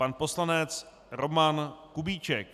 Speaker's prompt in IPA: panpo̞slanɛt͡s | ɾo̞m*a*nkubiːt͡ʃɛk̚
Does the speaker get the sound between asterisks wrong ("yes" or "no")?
no